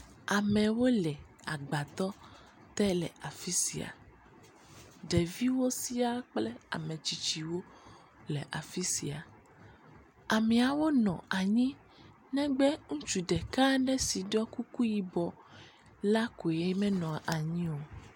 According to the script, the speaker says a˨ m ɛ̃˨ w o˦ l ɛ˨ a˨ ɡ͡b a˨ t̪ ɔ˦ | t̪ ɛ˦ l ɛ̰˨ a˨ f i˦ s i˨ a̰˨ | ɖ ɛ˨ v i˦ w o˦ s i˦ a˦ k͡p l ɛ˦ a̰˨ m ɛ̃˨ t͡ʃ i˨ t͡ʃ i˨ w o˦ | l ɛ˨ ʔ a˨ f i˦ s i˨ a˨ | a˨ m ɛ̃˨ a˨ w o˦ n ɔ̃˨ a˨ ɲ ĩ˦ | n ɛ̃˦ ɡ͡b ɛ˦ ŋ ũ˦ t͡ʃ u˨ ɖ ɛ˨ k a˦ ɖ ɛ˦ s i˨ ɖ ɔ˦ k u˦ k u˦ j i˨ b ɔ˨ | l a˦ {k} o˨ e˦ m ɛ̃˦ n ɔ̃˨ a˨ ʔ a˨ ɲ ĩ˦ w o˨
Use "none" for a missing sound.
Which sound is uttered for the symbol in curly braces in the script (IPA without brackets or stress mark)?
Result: k